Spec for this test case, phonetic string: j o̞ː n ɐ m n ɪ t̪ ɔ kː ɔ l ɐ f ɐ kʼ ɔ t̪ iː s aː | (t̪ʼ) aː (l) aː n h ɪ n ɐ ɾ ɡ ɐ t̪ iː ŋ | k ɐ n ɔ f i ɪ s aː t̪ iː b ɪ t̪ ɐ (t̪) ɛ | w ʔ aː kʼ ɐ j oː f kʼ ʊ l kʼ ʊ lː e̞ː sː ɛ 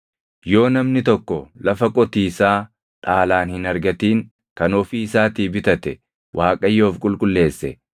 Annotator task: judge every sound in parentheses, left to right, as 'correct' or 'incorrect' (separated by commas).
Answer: correct, correct, correct